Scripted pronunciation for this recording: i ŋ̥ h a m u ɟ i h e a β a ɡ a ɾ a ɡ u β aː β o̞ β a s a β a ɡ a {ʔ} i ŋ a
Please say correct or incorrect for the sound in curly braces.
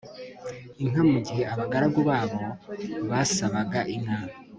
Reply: correct